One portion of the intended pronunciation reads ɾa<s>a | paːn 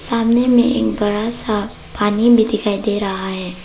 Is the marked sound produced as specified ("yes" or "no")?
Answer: yes